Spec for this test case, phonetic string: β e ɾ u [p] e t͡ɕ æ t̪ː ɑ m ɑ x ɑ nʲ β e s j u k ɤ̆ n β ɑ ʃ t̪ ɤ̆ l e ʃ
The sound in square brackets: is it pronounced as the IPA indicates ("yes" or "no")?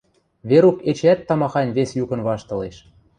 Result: no